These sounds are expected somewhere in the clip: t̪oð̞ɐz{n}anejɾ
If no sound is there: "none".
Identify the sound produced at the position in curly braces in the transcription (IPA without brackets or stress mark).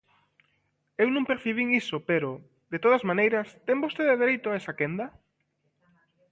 m